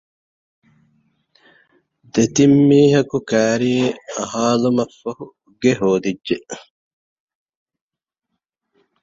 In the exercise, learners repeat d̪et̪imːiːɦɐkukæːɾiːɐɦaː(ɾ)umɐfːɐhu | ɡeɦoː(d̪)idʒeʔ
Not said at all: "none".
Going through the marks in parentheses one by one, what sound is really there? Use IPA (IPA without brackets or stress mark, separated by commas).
l, d̪